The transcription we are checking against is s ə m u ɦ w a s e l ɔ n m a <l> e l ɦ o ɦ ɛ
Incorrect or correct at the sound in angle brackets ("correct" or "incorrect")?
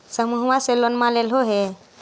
correct